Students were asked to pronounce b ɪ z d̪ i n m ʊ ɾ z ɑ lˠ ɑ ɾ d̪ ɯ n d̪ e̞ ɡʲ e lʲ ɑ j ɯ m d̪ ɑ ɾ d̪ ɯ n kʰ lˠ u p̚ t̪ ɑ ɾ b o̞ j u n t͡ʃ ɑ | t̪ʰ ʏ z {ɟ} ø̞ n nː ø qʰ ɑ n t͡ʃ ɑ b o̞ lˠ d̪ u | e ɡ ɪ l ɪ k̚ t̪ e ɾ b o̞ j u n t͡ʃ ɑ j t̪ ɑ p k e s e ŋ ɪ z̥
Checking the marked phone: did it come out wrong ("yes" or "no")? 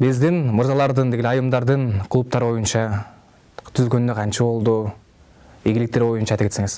yes